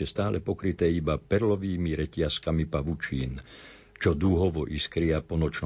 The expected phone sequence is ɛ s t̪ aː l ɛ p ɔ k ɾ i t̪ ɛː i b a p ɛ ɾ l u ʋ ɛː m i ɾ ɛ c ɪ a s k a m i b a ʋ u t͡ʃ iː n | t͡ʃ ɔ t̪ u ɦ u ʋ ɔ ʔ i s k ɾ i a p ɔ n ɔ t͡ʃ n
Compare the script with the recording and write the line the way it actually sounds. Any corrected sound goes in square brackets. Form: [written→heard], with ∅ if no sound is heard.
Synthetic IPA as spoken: ɛ s t̪ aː l ɛ p ɔ k ɾ i t̪ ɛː i b a p ɛ ɾ l [u→ɔ] ʋ [ɛː→iː] m i ɾ ɛ c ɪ a s k a m i [b→p] a ʋ u t͡ʃ iː n | t͡ʃ ɔ [t̪→d̪] u ɦ [u→ɔ] ʋ ɔ ʔ i s k ɾ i a p ɔ n ɔ t͡ʃ n